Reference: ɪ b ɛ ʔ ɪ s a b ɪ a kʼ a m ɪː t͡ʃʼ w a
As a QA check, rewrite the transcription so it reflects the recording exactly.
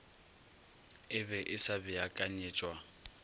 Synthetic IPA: ɪ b ɛ ʔ ɪ s a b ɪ a kʼ a ɲ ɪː t͡ʃʼ w a